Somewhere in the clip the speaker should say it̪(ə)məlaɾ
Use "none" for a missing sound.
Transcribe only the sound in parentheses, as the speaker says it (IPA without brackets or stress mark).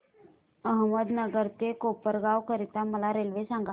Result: a